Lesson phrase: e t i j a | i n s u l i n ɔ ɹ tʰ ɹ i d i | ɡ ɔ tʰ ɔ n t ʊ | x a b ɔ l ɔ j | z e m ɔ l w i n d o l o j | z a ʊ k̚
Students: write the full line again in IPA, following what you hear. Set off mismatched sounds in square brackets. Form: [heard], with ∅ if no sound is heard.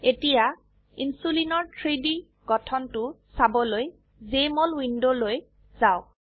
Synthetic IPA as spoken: e t i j a | i n s u l i n ɔ ɹ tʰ ɹ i d i | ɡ ɔ tʰ ɔ n t ʊ | [s] a b ɔ l [o] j | z e m ɔ l w i n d o l o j | z a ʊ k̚